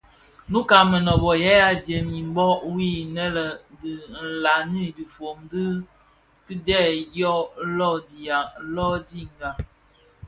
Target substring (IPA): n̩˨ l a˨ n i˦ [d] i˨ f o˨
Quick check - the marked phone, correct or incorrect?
correct